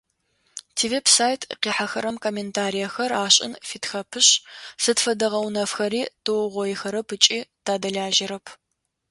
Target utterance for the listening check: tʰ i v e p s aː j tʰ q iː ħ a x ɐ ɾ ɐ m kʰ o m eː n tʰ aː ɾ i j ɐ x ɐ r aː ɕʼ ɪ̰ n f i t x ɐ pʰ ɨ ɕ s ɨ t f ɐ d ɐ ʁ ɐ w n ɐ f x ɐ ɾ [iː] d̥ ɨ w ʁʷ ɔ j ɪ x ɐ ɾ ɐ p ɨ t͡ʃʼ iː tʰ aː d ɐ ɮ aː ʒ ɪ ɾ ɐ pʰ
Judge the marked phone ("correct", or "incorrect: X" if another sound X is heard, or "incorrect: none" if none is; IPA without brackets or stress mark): correct